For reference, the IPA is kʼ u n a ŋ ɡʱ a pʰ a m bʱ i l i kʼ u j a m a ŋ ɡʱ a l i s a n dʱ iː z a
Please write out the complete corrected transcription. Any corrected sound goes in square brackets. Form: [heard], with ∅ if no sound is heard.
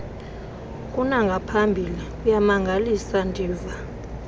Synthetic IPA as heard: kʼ u n a ŋ ɡʱ a pʰ a m bʱ i l i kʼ u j a m a ŋ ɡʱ a l i s a n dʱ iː [v] a